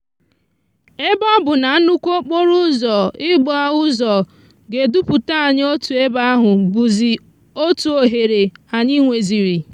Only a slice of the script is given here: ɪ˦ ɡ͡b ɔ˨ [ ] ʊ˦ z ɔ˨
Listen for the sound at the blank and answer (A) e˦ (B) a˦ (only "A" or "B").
B